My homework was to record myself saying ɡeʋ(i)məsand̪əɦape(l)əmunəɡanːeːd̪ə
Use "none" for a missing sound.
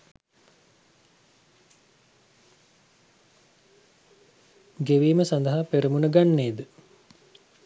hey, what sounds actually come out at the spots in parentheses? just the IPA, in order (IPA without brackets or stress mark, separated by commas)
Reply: iː, ɾ